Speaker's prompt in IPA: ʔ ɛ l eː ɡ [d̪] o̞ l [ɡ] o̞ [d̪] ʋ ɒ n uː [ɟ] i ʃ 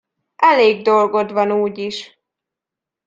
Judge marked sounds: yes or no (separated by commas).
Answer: yes, yes, yes, yes